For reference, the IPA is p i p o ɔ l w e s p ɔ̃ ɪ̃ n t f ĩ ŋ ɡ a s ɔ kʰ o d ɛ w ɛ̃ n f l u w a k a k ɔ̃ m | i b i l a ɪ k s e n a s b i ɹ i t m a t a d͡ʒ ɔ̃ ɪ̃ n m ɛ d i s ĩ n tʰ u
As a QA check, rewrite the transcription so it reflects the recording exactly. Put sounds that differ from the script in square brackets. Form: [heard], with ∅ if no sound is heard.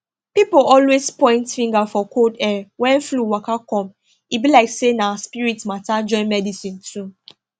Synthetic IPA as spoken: p i p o ɔ l w e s p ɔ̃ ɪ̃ n t f ĩ ŋ ɡ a [f] ɔ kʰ o d ɛ w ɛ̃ n f l u w a k a k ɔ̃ m | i b i l a ɪ k s e n a s [p] i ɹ i t m a t a d͡ʒ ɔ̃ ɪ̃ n m ɛ d i s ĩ n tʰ u